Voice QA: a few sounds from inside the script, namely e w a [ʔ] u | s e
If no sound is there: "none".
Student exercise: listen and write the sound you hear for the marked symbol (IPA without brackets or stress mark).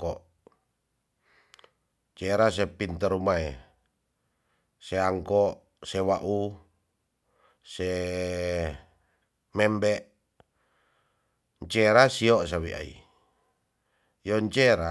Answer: ʔ